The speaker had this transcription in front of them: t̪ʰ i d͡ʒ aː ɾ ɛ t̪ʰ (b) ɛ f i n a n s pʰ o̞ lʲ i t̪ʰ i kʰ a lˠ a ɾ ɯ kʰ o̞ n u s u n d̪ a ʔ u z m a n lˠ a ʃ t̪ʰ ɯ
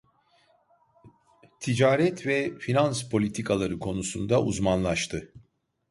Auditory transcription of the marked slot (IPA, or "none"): v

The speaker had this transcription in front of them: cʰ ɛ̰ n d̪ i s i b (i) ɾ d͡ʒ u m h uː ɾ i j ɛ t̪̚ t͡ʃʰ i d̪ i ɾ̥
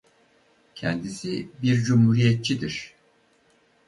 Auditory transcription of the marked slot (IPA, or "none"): i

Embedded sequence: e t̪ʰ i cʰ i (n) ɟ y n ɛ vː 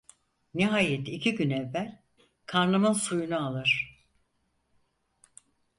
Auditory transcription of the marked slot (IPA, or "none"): none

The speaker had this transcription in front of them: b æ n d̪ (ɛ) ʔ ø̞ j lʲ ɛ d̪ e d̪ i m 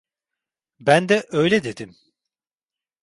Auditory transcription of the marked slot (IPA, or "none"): ɛ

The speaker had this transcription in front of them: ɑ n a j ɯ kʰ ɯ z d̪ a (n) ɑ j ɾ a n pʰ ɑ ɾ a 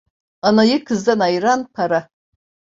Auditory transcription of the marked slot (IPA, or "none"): n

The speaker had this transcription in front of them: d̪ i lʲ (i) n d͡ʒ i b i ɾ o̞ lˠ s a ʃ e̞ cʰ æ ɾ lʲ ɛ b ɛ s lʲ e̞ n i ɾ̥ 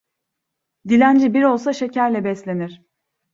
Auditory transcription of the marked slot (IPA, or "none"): æ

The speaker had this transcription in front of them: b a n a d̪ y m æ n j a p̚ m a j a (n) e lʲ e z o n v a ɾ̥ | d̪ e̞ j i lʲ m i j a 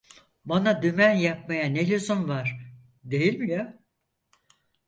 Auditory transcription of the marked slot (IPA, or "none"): n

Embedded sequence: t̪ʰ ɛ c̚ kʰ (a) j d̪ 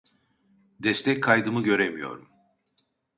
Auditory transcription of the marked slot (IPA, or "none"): a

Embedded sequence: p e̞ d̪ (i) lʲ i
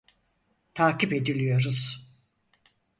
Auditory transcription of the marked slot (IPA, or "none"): i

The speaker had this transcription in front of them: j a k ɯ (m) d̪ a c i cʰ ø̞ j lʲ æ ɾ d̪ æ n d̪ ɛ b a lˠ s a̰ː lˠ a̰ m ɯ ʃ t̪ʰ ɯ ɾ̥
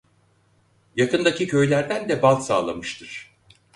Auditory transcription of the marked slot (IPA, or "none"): n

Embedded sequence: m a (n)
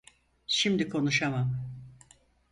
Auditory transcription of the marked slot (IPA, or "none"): m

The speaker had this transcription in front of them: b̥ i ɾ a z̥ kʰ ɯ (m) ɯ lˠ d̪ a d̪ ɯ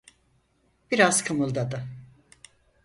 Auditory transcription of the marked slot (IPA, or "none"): m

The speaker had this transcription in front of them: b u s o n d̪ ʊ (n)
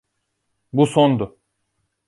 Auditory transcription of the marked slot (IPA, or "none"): none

